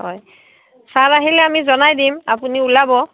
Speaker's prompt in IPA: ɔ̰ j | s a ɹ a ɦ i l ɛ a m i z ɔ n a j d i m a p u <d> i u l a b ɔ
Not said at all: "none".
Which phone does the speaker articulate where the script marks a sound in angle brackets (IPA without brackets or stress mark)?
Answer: n